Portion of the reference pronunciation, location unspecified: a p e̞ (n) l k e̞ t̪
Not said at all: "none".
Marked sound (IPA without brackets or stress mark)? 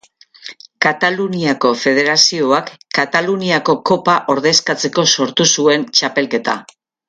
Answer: none